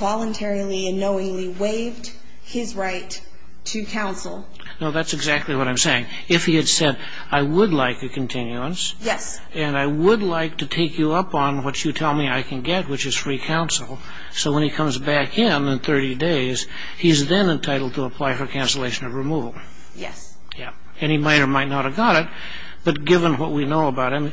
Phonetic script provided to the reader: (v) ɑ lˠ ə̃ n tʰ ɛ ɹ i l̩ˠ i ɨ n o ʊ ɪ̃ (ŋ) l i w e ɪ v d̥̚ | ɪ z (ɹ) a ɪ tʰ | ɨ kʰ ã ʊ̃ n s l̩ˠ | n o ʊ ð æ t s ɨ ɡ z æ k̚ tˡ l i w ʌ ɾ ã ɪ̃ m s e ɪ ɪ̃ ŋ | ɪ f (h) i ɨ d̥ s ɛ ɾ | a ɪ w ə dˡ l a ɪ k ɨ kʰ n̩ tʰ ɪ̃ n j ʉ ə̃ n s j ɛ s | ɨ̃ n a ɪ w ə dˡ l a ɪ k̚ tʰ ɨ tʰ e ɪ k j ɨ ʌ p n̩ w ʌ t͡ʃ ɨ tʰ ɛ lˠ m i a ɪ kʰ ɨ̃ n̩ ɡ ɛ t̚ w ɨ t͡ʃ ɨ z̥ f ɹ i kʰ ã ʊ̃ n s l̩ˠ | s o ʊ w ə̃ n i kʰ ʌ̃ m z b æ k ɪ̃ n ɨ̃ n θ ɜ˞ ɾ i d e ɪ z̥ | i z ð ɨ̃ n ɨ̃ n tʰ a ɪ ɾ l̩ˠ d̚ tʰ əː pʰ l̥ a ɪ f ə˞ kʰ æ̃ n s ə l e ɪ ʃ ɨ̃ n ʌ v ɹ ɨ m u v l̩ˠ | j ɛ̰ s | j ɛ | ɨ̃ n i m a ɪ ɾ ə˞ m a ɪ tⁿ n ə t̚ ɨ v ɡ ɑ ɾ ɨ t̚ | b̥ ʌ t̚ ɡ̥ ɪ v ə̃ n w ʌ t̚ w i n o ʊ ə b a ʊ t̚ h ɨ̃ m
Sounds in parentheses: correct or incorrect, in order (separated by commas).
correct, correct, correct, correct